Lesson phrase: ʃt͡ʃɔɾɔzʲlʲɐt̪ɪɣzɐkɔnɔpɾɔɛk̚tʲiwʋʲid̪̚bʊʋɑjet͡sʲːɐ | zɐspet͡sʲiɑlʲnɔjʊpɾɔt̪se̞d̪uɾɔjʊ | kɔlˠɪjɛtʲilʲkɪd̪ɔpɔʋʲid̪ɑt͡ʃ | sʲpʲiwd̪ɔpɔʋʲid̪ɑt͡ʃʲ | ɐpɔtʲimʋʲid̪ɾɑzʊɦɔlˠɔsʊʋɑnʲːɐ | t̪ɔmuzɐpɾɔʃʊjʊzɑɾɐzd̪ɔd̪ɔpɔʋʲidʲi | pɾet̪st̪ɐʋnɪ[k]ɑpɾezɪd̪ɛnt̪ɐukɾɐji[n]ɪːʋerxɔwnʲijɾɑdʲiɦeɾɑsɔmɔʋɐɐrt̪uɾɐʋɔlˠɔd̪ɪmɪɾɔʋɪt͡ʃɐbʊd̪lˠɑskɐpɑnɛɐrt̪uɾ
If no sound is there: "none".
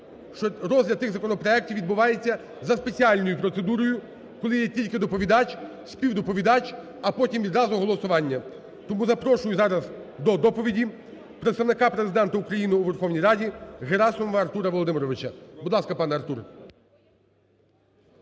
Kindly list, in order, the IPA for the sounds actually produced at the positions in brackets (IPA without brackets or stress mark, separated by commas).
k, n